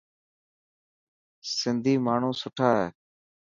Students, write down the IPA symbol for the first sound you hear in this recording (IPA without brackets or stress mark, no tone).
s